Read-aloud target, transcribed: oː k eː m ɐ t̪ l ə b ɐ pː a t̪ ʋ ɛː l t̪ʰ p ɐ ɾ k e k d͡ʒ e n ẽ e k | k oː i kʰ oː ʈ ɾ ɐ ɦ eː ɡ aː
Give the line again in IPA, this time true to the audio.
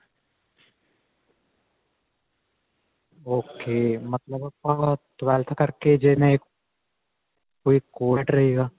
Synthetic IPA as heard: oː k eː m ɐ t̪ l ə b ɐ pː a t̪ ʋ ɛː l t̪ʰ k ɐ ɾ k e d͡ʒ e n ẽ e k | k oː i k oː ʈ ɾ ɐ ɦ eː ɡ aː

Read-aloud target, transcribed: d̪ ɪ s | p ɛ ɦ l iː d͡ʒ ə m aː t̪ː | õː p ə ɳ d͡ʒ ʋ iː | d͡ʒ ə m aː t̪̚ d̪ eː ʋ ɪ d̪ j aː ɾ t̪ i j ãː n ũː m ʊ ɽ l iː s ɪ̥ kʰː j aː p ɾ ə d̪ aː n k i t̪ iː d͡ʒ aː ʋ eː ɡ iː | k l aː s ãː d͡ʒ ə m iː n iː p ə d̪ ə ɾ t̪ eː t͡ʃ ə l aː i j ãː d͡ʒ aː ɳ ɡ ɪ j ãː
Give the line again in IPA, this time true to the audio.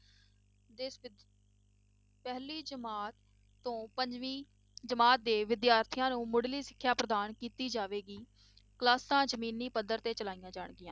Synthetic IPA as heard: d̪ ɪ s | p ɛ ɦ l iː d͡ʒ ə m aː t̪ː | õː p ə ɲ d͡ʒ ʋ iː | d͡ʒ ə m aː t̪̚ d̪ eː ʋ ɪ d̪ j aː ɾ t̪ʰ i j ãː n ũː m ʊ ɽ l iː s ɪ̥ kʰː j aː p ɾ ə d̪ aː n k iː t̪ iː d͡ʒ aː ʋ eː ɡ iː | k l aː s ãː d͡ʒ ə m iː n iː p ə d̪ ə ɾ t̪ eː t͡ʃ ə l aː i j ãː d͡ʒ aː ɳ ɡ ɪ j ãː

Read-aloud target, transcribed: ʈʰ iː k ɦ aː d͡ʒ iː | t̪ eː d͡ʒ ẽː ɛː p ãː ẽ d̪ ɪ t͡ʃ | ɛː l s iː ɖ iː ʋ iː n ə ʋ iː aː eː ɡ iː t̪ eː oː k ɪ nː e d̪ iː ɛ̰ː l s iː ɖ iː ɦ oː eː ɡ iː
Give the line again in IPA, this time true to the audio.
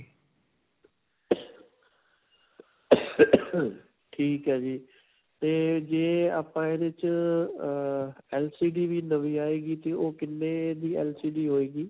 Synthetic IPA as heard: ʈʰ iː k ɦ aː d͡ʒ iː | t̪ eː d͡ʒ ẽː aː p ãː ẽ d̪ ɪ t͡ʃ | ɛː l s iː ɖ iː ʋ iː n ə ʋ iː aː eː ɡ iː t̪ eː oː k ɪ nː e d̪ iː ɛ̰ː l s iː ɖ iː ɦ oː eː ɡ iː

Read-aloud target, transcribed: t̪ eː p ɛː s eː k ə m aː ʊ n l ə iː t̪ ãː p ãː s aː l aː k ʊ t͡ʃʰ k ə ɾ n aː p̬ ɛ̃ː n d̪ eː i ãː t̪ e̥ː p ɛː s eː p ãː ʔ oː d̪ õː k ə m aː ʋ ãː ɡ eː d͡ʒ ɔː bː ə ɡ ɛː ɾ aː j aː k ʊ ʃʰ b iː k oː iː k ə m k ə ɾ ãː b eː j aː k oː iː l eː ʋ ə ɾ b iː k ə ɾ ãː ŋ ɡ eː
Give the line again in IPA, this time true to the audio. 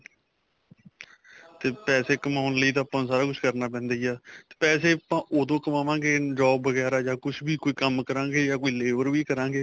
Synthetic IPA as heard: t̪ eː p ɛː s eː k ə m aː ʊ n l ə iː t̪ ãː p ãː s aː ɾ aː k ʊ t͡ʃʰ k ə ɾ n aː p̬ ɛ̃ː n d̪ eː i aː t̪ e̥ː p ɛː s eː p ãː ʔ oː d̪ õː k ə m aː ʋ ãː ɡ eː d͡ʒ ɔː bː ə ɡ ɛː ɾ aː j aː k ʊ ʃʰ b iː k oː iː k ə m k ə ɾ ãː ɡ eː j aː k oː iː l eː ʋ ə ɾ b iː k ə ɾ ãː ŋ ɡ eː

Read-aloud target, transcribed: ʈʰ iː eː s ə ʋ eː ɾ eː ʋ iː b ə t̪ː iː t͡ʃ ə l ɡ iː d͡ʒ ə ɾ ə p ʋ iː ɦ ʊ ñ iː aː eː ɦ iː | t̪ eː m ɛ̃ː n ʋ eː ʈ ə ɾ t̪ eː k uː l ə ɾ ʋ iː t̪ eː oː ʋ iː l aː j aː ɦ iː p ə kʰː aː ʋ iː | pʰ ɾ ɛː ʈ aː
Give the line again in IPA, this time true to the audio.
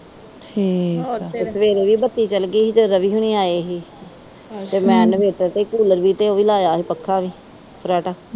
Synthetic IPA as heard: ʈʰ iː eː s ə ʋ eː ɾ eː ʋ iː b ə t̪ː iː t͡ʃ ə l ɡ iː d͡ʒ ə ɾ ə ʋ iː ɦ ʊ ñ iː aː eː ɦ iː | t̪ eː m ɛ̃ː n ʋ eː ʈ ə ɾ t̪ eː k uː l ə ɾ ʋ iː t̪ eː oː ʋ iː l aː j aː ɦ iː p ə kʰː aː ʋ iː | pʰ ɾ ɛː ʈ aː

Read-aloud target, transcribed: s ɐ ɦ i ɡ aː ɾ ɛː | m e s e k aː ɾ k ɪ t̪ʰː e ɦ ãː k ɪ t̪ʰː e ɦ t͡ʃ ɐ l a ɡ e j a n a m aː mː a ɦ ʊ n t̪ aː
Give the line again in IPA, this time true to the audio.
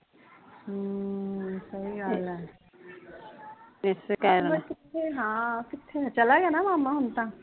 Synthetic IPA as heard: s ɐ ɦ i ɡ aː l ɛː | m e s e k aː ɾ k ɪ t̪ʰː e ɦ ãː k ɪ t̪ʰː e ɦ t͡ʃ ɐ l a ɡ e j a n a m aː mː a ɦ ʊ n t̪ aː

